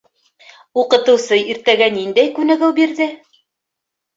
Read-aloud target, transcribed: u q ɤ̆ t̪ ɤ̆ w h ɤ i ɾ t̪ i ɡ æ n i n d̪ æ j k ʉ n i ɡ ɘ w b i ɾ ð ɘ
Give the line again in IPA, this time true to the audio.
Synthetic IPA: u q ɤ̆ t̪ ɤ̆ w s ɤ i ɾ t̪ æ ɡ æ n i n d̪ æ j k ʉ n æ ɡ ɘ w b i ɾ ð ɘ